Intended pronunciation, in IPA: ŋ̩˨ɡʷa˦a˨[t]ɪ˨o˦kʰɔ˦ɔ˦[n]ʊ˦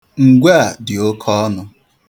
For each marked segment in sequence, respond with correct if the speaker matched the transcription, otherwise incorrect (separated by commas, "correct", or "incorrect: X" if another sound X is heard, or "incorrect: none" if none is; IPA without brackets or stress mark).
incorrect: d, correct